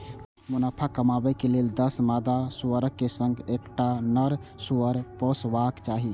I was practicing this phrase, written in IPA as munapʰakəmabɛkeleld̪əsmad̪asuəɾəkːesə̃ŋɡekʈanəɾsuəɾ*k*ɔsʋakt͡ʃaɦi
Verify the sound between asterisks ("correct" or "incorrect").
incorrect